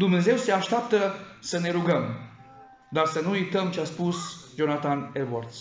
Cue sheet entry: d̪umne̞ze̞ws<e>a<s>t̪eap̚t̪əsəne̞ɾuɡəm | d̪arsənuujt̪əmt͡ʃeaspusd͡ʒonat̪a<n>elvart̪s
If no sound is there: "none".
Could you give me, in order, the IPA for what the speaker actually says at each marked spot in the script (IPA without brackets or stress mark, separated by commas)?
e, ʃ, n